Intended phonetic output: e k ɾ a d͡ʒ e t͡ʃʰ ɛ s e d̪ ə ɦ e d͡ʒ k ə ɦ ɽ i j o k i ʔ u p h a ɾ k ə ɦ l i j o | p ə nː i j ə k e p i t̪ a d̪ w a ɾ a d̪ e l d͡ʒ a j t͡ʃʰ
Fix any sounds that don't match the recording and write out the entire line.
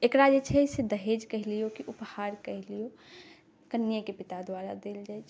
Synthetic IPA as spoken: e k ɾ a d͡ʒ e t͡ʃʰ ɛ s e d̪ ə ɦ e d͡ʒ k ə ɦ l i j o k i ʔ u p h a ɾ k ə ɦ l i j o | k ə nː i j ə k e p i t̪ a d̪ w a ɾ a d̪ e l d͡ʒ a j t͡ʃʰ